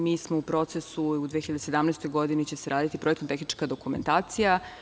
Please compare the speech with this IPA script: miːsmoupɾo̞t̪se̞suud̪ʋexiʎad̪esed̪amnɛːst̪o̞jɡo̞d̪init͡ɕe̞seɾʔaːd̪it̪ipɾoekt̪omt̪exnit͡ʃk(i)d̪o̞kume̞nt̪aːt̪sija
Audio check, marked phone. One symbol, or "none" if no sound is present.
a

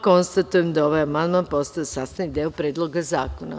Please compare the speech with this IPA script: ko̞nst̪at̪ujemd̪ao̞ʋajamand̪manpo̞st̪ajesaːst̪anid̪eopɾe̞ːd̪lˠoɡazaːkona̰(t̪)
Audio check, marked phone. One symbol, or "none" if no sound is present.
none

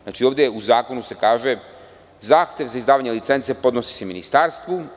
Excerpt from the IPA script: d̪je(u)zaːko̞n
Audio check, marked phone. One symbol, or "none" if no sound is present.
u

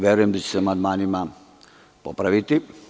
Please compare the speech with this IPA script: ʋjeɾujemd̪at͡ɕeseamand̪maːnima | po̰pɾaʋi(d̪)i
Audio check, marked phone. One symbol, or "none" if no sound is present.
t̪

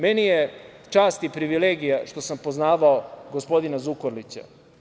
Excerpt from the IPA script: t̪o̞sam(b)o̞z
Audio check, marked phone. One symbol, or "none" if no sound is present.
p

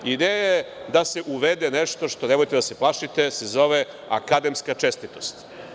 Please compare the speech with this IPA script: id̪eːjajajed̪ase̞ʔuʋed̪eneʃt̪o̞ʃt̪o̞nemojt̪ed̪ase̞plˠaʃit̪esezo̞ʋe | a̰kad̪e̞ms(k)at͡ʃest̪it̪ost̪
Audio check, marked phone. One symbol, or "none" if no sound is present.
k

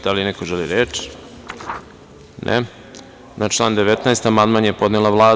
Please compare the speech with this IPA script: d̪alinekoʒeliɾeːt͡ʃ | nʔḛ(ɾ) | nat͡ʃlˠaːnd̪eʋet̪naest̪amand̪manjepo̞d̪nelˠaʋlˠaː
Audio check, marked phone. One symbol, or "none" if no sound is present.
none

